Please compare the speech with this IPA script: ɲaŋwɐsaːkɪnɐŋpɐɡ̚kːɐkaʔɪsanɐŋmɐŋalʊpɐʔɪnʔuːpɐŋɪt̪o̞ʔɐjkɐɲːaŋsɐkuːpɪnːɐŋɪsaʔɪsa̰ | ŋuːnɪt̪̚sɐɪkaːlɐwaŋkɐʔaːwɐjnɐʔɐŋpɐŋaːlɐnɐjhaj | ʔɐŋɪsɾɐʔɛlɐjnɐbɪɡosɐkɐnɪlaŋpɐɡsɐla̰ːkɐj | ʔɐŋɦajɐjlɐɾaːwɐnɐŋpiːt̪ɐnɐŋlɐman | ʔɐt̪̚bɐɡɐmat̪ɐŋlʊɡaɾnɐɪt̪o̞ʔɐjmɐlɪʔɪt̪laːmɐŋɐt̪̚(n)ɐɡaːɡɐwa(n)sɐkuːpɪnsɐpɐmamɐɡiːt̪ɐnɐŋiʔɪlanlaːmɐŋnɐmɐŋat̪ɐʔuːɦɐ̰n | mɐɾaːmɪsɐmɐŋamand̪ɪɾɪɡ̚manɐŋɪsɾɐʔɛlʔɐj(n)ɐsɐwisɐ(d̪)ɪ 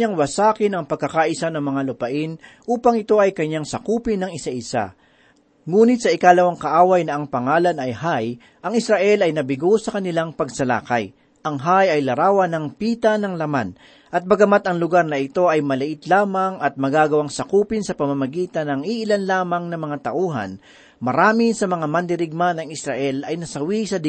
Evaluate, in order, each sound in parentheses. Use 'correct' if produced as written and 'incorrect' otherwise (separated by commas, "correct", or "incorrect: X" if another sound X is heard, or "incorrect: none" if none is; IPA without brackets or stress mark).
incorrect: m, incorrect: ŋ, correct, correct